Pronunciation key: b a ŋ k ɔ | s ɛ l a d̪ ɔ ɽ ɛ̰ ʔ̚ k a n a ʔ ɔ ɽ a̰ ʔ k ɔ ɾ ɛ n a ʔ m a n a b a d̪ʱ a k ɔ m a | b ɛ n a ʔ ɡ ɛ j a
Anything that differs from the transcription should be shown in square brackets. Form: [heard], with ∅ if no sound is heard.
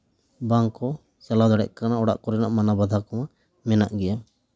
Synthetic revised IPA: b a ŋ k ɔ | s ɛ l a d̪ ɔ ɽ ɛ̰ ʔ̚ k a n a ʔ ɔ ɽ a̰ ʔ k ɔ ɾ ɛ n a ʔ m a n a b a d̪ʱ a k ɔ m a | [m] ɛ n a ʔ ɡ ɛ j a